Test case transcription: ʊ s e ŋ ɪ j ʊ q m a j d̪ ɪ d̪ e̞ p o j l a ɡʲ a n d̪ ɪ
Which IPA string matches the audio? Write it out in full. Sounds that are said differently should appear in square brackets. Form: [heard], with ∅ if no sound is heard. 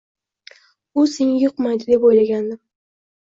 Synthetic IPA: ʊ s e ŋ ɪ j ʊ q m a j d̪ ɪ d̪ e̞ p o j l a ɡʲ a n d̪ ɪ